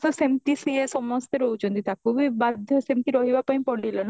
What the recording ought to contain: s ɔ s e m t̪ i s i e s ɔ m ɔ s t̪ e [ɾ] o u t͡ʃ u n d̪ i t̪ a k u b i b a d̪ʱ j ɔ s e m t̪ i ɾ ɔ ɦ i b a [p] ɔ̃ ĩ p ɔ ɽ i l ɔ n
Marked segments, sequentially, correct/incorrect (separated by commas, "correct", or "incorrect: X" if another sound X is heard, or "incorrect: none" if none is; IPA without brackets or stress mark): correct, correct